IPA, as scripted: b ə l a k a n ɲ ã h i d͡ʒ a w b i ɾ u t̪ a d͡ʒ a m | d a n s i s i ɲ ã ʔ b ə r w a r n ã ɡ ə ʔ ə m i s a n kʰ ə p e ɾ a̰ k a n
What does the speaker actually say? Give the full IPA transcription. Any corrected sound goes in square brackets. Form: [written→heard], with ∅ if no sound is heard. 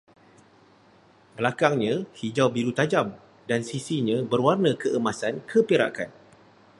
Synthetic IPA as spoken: b ə l a k a [n→ŋ] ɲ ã h i d͡ʒ a w b i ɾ u t̪ a d͡ʒ a m | d a n s i s i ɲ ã [ʔ→∅] b ə r w a r n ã [ɡ→k] ə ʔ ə m [i→a] s a n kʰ ə p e ɾ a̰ k a n